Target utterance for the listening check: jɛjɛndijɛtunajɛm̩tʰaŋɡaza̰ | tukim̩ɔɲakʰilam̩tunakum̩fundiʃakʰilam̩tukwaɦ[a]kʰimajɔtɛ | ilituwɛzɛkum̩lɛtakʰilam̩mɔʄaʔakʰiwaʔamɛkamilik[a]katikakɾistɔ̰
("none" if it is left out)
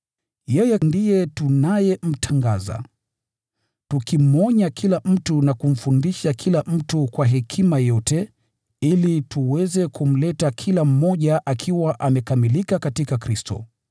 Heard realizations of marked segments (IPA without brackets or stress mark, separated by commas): ɛ, a